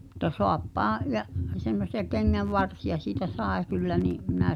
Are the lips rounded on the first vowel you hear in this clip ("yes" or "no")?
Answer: yes